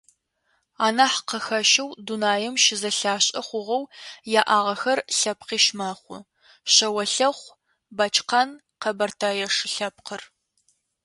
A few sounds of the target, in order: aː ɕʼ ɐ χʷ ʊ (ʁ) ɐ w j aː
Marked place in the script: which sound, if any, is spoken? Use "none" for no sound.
ʁ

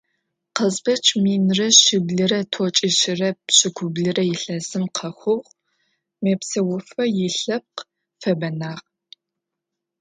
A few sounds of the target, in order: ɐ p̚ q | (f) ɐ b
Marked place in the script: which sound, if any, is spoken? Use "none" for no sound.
f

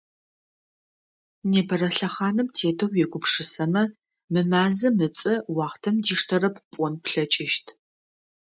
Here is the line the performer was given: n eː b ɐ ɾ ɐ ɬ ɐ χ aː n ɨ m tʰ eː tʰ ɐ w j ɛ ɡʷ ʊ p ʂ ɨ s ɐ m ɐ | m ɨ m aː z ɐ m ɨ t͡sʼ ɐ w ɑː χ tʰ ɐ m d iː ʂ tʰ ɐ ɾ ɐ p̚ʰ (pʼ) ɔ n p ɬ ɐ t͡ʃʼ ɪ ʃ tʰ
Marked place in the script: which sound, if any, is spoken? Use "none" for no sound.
pʼ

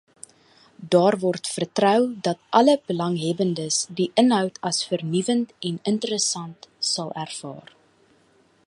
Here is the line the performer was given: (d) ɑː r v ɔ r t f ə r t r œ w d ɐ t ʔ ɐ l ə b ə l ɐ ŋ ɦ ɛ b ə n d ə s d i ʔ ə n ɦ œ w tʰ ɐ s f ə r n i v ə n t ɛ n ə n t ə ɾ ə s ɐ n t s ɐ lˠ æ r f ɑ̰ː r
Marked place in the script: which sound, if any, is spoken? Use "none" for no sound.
d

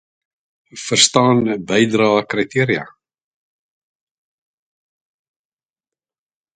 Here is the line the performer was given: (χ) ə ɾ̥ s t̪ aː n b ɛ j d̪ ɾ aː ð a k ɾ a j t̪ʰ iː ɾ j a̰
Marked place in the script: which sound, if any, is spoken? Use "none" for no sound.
f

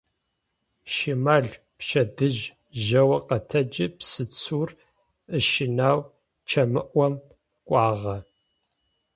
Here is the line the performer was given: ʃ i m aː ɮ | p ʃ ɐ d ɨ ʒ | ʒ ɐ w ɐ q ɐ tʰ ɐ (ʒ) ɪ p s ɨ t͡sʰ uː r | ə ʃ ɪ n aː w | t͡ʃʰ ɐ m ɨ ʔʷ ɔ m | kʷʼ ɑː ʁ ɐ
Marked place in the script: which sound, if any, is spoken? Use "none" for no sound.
d͡ʒ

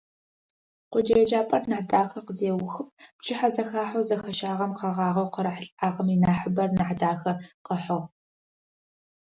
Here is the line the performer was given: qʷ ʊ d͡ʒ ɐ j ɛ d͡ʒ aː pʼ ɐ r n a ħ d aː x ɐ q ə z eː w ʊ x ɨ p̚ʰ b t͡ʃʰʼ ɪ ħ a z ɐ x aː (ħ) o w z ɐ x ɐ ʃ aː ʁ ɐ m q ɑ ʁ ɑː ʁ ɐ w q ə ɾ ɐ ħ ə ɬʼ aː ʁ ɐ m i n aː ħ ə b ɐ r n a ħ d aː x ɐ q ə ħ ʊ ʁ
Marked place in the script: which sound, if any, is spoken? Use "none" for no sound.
ħ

